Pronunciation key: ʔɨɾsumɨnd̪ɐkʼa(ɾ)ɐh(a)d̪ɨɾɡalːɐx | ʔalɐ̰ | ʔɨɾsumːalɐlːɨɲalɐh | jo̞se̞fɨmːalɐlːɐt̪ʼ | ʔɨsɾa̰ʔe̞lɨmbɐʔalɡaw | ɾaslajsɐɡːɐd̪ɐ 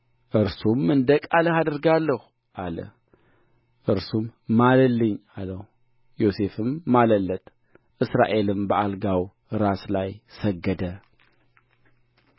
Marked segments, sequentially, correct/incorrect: incorrect: l, correct

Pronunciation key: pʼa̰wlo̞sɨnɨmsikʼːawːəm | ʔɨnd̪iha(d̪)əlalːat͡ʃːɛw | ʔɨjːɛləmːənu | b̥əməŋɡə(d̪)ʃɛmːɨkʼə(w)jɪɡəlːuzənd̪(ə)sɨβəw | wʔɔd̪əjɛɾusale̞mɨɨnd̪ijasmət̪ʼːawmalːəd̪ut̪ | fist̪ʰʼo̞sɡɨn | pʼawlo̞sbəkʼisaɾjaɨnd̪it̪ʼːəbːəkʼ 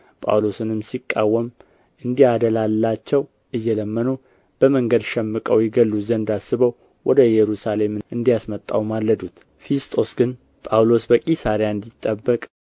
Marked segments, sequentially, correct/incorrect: correct, correct, correct, incorrect: a

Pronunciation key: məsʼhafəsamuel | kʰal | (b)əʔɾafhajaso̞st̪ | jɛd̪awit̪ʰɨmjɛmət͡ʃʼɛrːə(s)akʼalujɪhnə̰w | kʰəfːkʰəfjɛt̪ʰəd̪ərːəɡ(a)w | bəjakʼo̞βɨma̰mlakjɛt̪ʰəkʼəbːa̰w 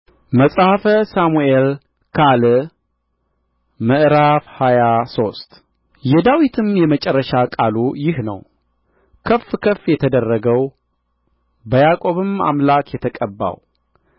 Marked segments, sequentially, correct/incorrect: incorrect: m, incorrect: ʃ, incorrect: ə

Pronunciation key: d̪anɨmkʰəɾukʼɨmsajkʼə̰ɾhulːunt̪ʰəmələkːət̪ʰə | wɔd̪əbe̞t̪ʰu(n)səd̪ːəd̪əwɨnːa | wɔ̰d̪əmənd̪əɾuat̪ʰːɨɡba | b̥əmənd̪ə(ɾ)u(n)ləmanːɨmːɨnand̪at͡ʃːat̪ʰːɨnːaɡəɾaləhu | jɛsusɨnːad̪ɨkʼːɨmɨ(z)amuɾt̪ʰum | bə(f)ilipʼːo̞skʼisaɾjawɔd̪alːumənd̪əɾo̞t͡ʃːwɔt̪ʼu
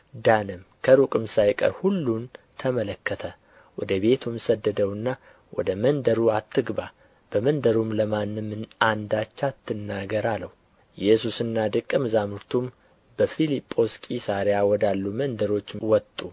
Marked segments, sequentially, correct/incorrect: incorrect: m, correct, incorrect: m, correct, correct

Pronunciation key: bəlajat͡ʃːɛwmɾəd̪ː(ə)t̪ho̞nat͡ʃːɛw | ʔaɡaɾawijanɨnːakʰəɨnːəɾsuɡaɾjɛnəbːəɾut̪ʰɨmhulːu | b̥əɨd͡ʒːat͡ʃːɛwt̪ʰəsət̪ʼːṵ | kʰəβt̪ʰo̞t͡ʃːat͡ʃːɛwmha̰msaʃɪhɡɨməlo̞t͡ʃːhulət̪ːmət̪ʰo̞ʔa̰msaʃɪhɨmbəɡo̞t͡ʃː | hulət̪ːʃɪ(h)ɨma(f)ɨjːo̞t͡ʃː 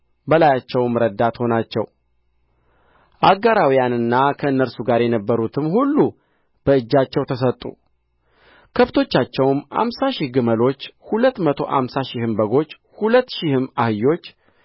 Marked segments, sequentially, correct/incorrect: incorrect: a, correct, incorrect: h

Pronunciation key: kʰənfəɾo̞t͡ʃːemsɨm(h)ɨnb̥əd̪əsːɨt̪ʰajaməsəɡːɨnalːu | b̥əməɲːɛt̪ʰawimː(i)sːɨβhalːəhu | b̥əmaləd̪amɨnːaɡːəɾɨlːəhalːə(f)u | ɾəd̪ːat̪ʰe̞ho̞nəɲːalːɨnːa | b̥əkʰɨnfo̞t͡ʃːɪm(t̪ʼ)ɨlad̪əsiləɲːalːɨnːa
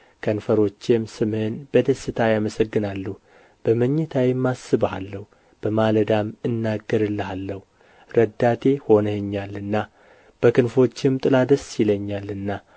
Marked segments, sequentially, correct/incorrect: correct, incorrect: a, incorrect: h, correct

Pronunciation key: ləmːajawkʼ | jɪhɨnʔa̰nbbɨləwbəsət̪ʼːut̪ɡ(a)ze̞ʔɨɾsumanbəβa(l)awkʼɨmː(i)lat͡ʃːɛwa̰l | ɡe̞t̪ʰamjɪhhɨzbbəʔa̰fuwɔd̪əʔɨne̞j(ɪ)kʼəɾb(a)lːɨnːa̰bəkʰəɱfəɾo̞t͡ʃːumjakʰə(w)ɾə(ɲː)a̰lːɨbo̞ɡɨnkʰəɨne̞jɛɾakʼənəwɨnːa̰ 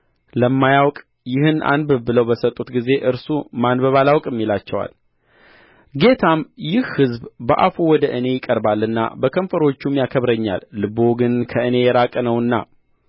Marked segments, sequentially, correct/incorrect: incorrect: i, correct, correct, correct, correct, incorrect: β, correct

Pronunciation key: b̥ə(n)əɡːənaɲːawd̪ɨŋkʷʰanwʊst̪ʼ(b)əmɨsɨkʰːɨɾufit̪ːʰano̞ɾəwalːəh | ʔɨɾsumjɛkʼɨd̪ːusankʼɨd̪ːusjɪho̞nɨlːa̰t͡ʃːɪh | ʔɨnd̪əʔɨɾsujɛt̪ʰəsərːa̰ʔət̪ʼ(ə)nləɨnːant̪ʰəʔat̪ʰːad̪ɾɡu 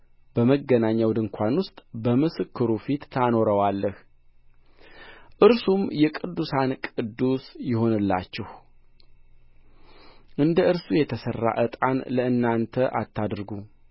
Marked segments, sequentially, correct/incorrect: incorrect: m, correct, incorrect: a

